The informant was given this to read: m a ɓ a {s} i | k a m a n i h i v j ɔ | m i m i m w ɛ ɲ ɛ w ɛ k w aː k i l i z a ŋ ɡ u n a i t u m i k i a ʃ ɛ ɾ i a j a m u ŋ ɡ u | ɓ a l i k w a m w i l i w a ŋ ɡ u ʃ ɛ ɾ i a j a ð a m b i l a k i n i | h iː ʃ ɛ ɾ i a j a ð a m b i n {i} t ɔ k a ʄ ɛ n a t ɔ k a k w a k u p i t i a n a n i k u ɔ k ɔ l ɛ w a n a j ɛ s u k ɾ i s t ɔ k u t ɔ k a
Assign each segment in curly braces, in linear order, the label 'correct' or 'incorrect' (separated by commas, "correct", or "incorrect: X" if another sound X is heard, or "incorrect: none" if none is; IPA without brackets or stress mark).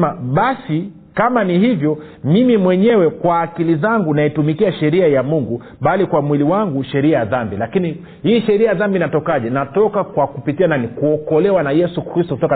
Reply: correct, incorrect: a